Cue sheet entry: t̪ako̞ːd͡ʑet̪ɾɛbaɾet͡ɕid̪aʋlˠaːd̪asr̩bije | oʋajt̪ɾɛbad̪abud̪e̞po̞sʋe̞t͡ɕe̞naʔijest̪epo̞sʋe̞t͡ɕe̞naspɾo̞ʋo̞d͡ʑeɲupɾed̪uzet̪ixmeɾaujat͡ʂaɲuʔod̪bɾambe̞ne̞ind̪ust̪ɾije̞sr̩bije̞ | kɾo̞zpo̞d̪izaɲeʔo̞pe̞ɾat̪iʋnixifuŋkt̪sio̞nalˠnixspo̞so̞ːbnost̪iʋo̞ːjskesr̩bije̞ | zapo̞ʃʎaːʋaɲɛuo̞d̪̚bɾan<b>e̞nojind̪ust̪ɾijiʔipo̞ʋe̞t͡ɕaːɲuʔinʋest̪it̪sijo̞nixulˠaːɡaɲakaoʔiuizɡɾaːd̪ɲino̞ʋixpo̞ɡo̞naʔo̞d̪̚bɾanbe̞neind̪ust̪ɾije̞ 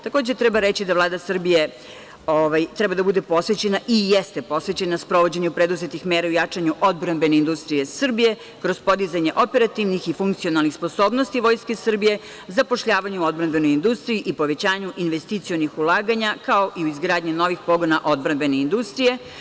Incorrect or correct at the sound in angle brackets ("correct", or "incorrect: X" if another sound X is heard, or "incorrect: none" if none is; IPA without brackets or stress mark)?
correct